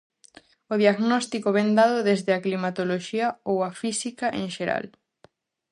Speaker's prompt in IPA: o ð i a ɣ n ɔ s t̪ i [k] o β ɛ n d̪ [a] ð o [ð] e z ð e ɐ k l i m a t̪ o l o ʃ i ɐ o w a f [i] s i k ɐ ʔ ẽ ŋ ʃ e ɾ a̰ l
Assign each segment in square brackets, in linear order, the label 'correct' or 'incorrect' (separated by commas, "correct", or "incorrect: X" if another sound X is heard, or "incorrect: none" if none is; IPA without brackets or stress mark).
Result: correct, correct, correct, correct